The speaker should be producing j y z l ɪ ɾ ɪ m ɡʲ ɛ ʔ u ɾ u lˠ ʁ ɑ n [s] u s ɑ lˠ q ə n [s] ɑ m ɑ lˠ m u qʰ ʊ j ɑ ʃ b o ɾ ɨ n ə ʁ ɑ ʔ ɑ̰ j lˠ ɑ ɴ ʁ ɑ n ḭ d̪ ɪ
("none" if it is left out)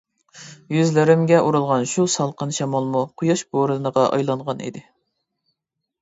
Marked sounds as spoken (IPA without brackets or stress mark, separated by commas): ʃ, ʃ